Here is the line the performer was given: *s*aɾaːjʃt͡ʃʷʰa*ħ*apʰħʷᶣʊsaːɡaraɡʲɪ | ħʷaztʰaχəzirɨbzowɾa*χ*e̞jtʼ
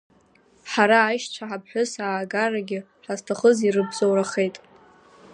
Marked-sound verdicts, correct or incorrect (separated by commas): incorrect, correct, correct